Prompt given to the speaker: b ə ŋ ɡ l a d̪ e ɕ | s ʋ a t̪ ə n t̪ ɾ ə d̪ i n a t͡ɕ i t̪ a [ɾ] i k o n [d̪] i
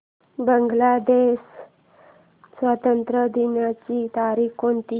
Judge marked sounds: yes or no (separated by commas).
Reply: yes, no